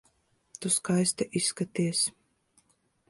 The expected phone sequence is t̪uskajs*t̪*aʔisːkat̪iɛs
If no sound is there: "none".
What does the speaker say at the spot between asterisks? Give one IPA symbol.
t̪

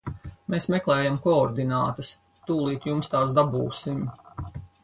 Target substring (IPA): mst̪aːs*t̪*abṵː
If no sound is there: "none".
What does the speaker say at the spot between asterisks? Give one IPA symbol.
d̪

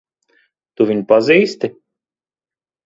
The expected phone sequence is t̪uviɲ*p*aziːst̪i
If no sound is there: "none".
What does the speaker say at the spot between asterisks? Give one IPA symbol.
p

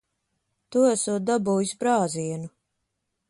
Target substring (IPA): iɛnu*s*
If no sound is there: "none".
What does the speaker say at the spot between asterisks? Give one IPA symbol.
none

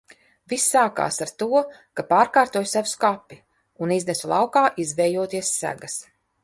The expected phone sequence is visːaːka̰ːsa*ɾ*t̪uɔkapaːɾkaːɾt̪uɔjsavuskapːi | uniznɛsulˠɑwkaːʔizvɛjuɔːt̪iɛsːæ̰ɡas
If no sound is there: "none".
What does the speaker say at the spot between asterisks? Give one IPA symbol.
ɾ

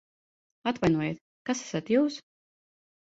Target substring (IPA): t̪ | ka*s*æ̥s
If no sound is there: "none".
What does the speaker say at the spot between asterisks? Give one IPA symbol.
s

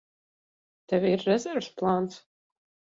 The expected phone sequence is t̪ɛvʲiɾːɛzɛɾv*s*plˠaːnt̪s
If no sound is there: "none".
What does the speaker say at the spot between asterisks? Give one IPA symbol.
s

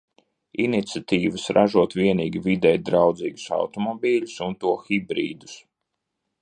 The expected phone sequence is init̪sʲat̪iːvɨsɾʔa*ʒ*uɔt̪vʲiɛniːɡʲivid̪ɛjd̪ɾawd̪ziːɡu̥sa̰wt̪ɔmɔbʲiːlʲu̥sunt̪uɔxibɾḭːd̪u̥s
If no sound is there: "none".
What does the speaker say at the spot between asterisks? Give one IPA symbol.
ʒ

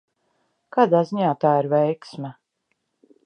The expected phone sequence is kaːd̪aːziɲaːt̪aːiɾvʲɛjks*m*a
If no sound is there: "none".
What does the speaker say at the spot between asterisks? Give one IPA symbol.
m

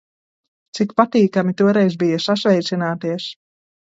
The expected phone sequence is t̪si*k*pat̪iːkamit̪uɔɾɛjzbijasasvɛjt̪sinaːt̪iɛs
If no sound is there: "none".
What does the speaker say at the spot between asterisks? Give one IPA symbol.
k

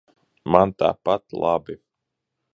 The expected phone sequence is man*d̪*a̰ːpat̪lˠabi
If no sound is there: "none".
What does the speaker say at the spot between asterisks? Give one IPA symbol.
t̪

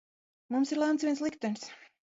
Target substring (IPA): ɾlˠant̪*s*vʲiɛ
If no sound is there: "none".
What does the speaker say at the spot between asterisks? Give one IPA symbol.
s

